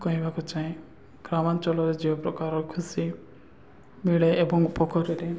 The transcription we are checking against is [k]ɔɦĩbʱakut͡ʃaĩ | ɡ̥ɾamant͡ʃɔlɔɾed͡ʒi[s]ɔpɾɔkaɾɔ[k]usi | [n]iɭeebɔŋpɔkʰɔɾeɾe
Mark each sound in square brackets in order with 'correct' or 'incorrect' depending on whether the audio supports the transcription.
correct, incorrect: none, incorrect: kʰ, incorrect: m

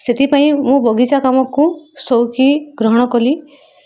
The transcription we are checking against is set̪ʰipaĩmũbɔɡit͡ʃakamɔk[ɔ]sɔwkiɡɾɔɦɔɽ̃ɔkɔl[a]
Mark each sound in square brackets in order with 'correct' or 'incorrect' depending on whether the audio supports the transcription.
incorrect: u, incorrect: i

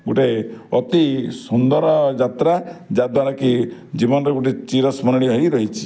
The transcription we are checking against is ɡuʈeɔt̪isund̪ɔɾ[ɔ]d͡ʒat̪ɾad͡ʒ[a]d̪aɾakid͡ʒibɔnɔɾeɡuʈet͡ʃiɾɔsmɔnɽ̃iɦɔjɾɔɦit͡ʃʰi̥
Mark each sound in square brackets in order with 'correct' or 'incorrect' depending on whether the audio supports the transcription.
correct, correct

